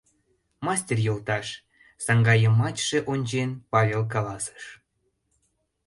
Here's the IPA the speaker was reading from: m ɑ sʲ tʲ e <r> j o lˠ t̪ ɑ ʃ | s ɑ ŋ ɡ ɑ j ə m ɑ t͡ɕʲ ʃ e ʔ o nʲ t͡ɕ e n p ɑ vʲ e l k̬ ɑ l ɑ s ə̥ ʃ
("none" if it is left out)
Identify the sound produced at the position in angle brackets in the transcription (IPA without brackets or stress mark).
r